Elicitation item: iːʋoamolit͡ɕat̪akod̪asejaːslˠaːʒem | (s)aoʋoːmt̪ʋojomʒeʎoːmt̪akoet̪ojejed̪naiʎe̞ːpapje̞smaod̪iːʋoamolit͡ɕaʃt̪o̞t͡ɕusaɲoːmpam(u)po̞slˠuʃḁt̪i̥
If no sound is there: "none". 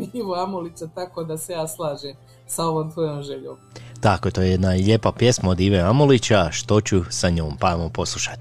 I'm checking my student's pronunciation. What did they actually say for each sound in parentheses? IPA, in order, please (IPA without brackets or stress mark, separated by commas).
s, o